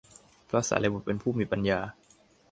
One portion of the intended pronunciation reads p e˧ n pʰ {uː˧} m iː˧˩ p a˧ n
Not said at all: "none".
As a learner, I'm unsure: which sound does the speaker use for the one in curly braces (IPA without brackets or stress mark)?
uː˥˩